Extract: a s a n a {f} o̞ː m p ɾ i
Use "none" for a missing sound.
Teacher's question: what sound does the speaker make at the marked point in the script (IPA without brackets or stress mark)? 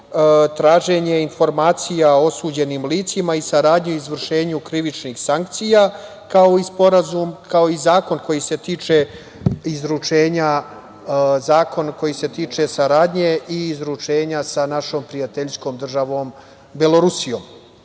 ʃ